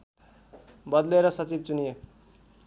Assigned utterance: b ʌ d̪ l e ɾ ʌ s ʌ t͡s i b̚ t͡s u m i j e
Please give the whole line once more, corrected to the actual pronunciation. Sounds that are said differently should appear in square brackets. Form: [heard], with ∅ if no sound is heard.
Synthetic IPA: b ʌ d̪ l e ɾ ʌ s ʌ t͡s i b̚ t͡s u [n] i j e